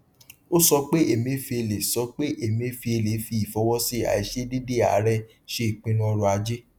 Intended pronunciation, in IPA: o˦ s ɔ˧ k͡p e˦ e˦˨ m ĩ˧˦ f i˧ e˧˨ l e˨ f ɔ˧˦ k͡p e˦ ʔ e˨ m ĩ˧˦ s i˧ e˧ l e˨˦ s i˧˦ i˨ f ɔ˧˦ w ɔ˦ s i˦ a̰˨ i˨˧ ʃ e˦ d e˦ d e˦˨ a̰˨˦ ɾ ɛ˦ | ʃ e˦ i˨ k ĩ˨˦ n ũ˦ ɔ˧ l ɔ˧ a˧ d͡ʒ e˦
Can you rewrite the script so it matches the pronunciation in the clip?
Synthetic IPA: o˦ s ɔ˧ k͡p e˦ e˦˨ m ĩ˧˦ f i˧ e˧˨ l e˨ s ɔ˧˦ k͡p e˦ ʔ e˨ m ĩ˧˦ f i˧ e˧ l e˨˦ f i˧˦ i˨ f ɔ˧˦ w ɔ˦ s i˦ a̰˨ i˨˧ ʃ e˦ d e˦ d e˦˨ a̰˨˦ ɾ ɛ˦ | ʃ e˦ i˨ k͡p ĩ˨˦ n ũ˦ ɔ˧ ɾ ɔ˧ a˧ d͡ʒ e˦